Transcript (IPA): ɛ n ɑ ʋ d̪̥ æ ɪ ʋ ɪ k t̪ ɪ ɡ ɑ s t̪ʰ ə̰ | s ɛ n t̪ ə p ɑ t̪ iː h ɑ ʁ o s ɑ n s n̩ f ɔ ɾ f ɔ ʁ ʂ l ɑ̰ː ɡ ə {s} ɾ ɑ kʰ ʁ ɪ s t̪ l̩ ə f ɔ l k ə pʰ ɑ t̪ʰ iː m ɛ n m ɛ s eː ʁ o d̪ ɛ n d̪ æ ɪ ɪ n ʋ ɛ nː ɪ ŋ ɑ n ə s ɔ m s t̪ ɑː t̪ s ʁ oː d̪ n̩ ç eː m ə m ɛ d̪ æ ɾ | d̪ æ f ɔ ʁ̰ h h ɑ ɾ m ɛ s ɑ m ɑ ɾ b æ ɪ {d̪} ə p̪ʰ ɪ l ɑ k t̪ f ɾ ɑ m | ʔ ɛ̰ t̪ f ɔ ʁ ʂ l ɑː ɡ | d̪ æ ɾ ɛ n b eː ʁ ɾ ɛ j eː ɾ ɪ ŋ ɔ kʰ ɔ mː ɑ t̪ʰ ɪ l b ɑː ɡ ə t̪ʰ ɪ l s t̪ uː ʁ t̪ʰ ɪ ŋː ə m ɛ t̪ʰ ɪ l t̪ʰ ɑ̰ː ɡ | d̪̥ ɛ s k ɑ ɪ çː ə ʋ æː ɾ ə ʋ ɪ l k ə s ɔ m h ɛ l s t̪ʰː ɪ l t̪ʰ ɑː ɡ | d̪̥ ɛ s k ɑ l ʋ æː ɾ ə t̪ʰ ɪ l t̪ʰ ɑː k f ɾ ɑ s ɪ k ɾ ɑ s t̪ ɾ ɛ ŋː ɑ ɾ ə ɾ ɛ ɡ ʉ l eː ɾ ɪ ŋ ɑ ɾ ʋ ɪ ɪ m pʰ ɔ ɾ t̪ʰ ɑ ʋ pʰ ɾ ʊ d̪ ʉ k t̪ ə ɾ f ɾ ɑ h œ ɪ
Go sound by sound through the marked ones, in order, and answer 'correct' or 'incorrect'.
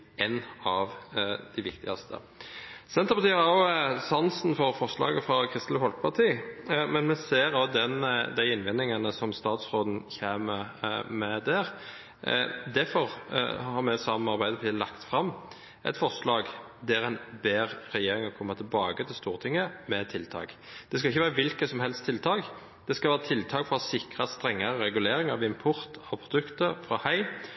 incorrect, correct

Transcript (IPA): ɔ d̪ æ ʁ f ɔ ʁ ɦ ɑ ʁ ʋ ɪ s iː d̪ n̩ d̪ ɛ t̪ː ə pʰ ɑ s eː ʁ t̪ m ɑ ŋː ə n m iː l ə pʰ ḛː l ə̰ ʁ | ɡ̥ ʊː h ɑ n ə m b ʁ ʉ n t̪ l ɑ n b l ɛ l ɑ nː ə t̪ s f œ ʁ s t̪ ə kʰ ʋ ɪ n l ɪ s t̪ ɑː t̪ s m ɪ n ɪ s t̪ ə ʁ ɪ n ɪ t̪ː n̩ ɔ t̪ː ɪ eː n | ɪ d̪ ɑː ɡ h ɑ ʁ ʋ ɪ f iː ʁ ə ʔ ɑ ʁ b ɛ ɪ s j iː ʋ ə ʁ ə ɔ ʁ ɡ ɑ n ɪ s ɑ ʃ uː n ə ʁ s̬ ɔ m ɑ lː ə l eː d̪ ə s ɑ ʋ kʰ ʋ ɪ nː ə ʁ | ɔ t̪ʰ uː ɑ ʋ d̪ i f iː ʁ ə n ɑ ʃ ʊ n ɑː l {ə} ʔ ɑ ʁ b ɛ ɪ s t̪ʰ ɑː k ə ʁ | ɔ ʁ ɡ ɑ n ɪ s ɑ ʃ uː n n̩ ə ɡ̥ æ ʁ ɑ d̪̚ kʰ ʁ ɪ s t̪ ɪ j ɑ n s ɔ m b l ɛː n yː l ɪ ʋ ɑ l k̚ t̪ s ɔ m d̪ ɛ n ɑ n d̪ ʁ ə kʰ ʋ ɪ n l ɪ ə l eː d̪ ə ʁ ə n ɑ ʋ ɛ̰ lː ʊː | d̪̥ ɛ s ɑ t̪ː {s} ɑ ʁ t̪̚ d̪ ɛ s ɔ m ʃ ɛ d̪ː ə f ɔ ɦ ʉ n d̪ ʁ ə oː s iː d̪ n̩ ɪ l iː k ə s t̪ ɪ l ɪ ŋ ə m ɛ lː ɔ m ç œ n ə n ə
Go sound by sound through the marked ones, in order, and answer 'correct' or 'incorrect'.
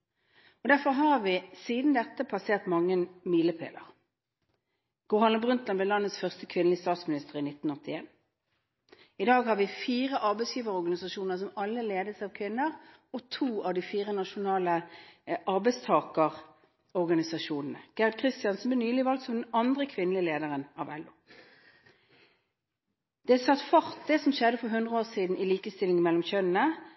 correct, incorrect

